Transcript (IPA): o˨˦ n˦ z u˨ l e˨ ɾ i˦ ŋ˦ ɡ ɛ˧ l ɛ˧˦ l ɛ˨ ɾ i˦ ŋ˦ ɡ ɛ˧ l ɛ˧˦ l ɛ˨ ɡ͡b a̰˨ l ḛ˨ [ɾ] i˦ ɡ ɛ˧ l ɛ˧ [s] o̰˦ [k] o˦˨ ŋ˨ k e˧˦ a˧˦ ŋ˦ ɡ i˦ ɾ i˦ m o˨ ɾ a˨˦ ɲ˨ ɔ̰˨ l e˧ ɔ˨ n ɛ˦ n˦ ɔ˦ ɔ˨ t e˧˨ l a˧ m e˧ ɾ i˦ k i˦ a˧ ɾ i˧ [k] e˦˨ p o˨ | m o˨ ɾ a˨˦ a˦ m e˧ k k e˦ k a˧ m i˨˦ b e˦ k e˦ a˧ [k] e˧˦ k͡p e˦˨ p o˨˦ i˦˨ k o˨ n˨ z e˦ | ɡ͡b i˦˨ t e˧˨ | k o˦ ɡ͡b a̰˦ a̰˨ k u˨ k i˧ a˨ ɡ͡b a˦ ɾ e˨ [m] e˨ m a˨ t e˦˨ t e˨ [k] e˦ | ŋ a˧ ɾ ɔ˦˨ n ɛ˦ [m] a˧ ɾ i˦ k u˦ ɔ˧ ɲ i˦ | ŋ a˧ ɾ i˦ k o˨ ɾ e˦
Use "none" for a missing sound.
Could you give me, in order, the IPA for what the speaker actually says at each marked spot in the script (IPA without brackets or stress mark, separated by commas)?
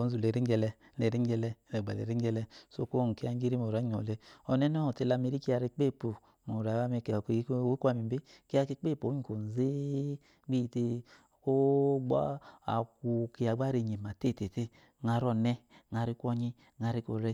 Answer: ɾ, s, k, k͡p, k, ɲ, t, ŋ